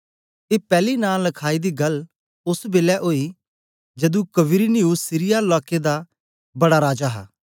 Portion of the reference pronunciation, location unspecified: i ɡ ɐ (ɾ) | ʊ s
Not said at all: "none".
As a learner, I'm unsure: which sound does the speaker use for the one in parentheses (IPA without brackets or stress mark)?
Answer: l